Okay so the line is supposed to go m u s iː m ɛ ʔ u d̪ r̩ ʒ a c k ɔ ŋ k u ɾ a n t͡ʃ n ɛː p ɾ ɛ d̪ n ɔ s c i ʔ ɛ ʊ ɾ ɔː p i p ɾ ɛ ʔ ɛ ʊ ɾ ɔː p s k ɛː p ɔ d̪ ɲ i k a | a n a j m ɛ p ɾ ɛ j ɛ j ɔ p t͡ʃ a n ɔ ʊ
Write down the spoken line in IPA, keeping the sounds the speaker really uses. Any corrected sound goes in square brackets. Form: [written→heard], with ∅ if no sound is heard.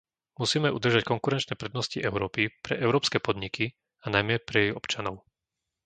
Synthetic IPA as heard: m u s iː m ɛ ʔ u d̪ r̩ ʒ a c k ɔ ŋ k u ɾ [a→ɛ] n t͡ʃ n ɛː p ɾ ɛ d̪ n ɔ s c i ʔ ɛ ʊ ɾ ɔː p i p ɾ ɛ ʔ ɛ ʊ ɾ ɔː p s k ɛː p ɔ d̪ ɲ i k [a→i] | a n a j m ɛ p ɾ ɛ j ɛ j ɔ p t͡ʃ a n ɔ ʊ